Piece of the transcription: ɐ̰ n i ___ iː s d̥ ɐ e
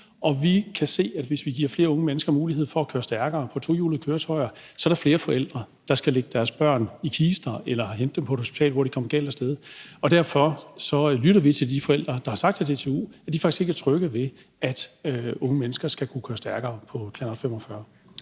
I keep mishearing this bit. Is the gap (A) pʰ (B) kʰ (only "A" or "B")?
B